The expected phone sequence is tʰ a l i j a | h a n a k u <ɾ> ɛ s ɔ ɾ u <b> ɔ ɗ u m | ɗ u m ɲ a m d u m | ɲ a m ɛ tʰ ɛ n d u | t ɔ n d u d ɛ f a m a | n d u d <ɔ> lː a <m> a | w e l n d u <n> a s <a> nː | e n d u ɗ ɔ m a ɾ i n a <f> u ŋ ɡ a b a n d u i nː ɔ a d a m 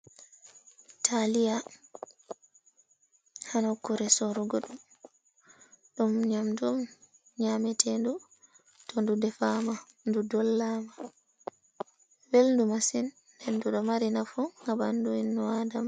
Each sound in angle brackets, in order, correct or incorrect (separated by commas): correct, incorrect, correct, correct, incorrect, incorrect, correct